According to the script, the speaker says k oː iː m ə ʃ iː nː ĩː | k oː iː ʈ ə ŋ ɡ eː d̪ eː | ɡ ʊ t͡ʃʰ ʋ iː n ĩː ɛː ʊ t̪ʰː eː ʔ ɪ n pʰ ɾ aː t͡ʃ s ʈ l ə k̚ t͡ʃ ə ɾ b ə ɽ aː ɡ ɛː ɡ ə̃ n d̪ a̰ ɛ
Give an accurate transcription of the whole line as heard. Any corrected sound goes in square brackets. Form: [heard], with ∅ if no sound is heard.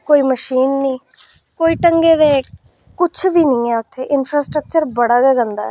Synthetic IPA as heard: k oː iː m ə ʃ iː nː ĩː | k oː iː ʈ ə ŋ ɡ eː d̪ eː | [k] ʊ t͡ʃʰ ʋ iː n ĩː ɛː ʊ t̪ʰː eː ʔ ɪ n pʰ ɾ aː [∅] s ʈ [ɾ] ə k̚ t͡ʃ ə ɾ b ə ɽ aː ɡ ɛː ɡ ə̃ n d̪ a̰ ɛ

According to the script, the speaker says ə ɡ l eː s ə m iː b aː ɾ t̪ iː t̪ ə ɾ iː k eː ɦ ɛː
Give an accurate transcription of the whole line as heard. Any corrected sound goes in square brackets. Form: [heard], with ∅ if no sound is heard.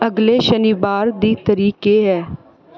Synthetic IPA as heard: ə ɡ l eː [ʃ] ə [n] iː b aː ɾ [d̪] iː t̪ ə ɾ iː k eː ɦ ɛː

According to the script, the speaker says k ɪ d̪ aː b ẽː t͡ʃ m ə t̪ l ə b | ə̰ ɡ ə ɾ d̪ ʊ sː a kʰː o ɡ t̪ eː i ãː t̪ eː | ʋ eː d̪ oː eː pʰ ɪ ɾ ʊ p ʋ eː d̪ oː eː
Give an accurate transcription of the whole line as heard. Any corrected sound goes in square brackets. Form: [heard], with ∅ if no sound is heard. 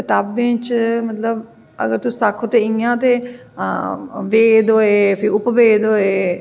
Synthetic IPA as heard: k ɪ [t̪] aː b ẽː t͡ʃ m ə t̪ l ə b | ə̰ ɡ ə ɾ [t̪] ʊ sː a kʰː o [∅] t̪ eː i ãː t̪ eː | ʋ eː d̪ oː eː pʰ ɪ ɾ ʊ p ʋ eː d̪ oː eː

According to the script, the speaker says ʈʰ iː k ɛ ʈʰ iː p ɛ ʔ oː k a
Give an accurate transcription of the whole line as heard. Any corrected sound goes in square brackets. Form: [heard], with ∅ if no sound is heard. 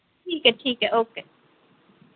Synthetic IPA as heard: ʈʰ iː k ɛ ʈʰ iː [k] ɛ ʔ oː k [e]

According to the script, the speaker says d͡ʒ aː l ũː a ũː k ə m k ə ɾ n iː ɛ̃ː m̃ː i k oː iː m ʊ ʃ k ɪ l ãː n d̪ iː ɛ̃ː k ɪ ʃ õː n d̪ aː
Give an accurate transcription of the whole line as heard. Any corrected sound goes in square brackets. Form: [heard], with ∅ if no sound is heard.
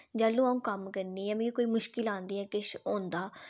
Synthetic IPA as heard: d͡ʒ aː l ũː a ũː k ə m k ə ɾ n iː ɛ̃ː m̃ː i k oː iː m ʊ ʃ k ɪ l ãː n d̪ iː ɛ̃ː k ɪ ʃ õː n d̪ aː

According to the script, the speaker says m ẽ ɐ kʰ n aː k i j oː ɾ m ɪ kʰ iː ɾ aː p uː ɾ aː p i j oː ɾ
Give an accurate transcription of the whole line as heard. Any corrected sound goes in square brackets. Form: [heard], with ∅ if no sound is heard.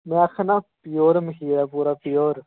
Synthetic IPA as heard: m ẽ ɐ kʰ n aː [p] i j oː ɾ m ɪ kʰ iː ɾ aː p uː ɾ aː p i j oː ɾ

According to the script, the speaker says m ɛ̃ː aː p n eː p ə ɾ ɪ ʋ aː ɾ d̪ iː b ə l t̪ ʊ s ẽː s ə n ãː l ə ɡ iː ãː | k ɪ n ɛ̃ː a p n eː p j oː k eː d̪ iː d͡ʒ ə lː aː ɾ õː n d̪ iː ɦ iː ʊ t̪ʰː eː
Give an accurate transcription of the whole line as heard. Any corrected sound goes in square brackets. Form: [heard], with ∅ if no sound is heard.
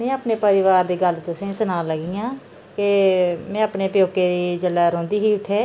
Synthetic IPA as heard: m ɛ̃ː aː p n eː p ə ɾ ɪ ʋ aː ɾ d̪ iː [ɡ] ə l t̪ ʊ s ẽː s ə n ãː l ə ɡ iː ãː | k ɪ [m] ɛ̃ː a p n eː p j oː k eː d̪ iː d͡ʒ ə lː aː ɾ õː n d̪ iː ɦ iː ʊ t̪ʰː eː

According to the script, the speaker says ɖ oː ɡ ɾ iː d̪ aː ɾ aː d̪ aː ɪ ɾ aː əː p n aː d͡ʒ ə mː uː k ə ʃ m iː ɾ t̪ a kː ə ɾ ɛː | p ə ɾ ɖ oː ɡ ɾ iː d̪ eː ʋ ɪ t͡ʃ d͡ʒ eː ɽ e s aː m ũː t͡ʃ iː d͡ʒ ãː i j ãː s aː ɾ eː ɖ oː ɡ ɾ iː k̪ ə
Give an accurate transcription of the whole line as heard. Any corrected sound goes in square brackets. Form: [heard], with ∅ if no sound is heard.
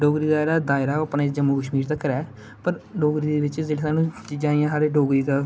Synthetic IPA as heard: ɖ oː ɡ ɾ iː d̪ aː ɾ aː d̪ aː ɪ ɾ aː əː p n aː d͡ʒ ə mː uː k ə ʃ m iː ɾ t̪ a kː ə ɾ ɛː | p ə ɾ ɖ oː ɡ ɾ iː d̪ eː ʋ ɪ t͡ʃ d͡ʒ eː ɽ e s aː [n] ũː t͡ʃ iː d͡ʒ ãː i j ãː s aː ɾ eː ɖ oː ɡ ɾ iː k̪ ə

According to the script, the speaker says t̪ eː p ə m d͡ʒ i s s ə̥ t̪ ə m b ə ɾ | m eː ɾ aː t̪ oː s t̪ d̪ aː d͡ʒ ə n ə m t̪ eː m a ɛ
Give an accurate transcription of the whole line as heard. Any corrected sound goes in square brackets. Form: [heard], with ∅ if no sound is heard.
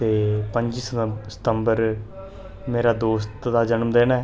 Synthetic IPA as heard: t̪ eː p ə [ɲ] d͡ʒ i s s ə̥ t̪ ə m b ə ɾ | m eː ɾ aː [d̪] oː s t̪ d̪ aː d͡ʒ ə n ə m [d̪] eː [n] a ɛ

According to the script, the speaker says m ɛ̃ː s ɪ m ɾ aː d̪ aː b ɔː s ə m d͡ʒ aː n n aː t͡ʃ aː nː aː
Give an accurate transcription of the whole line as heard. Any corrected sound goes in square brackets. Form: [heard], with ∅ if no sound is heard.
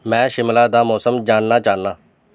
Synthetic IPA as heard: m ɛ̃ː [ʃ] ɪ m [l] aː d̪ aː [m] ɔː s ə m d͡ʒ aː n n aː t͡ʃ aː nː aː

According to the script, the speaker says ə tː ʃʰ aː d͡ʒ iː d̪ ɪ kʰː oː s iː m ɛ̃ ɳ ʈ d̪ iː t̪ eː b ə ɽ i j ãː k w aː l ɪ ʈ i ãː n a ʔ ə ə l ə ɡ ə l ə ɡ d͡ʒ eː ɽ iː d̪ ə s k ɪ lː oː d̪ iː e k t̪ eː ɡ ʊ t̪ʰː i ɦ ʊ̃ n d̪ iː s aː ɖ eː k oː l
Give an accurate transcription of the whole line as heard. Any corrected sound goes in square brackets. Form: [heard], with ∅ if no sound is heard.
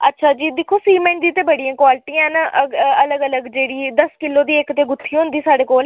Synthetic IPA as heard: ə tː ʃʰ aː d͡ʒ iː d̪ ɪ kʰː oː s iː m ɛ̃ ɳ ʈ d̪ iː t̪ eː b ə ɽ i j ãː k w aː l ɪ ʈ i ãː n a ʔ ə ə l ə ɡ ə l ə ɡ d͡ʒ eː ɽ iː d̪ ə s k ɪ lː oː d̪ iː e k t̪ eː ɡ ʊ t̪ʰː i ɦ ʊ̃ n d̪ iː s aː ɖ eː k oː l

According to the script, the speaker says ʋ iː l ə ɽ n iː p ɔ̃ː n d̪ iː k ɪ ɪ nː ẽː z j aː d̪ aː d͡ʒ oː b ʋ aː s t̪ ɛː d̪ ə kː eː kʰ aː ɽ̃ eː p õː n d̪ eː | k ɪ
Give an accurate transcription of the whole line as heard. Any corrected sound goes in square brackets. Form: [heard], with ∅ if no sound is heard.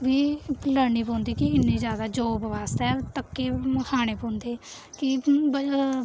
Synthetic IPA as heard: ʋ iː l ə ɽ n iː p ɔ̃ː n d̪ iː k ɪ ɪ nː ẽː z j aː d̪ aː d͡ʒ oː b ʋ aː s t̪ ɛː [t̪] ə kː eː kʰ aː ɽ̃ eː p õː n d̪ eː | k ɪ

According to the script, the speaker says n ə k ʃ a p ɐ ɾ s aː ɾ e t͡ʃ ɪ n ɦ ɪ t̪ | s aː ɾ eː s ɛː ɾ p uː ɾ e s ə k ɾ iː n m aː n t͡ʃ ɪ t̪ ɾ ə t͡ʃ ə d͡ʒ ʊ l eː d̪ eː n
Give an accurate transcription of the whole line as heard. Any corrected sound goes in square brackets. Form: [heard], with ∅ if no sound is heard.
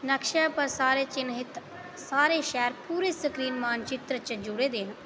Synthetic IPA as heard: n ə k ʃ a p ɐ ɾ s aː ɾ e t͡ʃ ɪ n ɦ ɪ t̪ | s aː ɾ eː [ʃ] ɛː ɾ p uː ɾ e s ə k ɾ iː n m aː n t͡ʃ ɪ t̪ ɾ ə t͡ʃ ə d͡ʒ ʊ [ɽ] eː d̪ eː n

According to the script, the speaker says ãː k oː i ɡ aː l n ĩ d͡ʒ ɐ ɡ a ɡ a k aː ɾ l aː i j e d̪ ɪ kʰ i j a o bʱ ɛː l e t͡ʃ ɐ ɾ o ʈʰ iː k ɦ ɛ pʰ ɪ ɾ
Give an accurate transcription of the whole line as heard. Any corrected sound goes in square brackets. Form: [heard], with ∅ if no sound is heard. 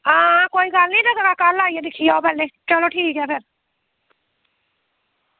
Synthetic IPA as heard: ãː k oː i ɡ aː l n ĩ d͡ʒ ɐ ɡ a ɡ a k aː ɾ l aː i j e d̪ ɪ kʰ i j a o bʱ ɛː l e t͡ʃ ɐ [l] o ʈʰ iː k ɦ ɛ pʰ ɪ ɾ

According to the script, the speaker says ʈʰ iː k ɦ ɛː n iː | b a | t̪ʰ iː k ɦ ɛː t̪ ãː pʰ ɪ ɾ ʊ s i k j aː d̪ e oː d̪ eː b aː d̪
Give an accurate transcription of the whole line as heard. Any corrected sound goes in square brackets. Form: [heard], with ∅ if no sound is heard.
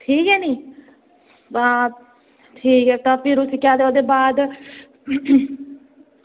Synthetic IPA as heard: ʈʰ iː k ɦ ɛː n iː | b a | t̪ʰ iː k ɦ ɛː t̪ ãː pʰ ɪ ɾ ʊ s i k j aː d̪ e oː d̪ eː b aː d̪

